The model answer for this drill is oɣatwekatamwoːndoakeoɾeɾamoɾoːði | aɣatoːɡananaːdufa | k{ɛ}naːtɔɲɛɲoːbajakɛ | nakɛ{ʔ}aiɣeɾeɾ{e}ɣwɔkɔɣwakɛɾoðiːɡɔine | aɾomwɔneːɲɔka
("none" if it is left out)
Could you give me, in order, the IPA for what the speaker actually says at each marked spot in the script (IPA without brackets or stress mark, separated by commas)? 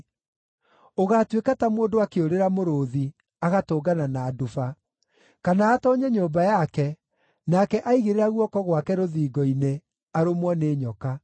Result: a, ʔ, a